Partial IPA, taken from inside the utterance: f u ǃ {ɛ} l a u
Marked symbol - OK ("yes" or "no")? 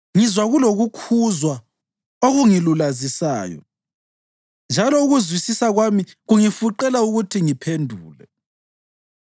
yes